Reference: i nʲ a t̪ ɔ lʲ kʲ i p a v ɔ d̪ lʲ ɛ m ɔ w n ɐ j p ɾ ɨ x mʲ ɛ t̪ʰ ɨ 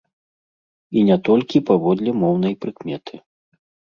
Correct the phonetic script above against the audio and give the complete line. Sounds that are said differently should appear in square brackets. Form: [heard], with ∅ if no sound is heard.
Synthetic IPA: i nʲ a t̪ ɔ lʲ kʲ i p a v ɔ d̪ lʲ ɛ m ɔ w n ɐ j p ɾ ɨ [k] mʲ ɛ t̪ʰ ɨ